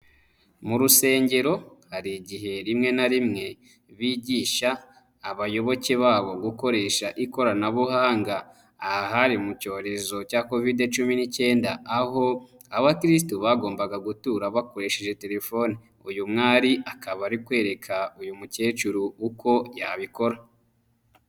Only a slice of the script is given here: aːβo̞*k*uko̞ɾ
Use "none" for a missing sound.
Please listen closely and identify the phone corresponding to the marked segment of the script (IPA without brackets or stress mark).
ɡ